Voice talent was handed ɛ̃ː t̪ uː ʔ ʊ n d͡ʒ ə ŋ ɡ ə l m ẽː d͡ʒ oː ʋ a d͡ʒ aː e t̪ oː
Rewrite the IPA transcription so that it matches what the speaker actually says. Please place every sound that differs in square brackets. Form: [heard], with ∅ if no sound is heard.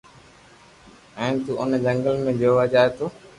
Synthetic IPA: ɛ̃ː t̪ uː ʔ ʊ n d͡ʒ ə ŋ ɡ ə l m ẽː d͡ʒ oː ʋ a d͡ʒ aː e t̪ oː